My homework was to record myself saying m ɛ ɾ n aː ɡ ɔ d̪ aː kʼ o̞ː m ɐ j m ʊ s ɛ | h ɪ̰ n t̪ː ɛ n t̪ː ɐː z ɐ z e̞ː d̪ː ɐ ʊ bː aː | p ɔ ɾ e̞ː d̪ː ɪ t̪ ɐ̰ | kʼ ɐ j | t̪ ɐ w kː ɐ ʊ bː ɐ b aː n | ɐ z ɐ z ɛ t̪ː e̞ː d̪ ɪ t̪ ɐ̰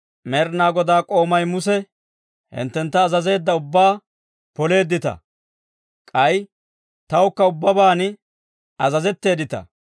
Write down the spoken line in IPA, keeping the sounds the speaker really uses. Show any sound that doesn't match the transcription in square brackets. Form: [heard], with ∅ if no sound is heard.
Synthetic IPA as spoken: m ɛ ɾ n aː ɡ ɔ d̪ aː kʼ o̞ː m ɐ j m ʊ s ɛ | h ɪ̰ n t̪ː ɛ n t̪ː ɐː z ɐ z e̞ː d̪ː ɐ ʊ bː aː | p ɔ [l] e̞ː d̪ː ɪ t̪ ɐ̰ | kʼ ɐ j | t̪ ɐ w kː ɐ ʊ bː ɐ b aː n | ɐ z ɐ z ɛ t̪ː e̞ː d̪ ɪ t̪ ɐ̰